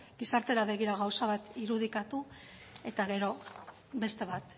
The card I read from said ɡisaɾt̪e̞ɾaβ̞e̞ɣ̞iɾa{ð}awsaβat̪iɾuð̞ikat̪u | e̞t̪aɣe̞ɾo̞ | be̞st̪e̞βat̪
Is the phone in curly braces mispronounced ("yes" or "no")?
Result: yes